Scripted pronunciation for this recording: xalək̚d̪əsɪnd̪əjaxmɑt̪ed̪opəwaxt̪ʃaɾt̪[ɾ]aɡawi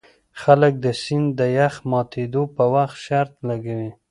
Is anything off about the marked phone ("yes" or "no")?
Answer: yes